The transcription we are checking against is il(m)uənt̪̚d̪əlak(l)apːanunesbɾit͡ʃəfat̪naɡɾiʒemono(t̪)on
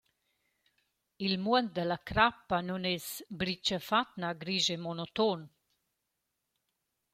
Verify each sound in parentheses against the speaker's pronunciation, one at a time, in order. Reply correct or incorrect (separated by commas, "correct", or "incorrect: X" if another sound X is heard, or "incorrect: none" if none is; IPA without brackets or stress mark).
correct, incorrect: ɾ, correct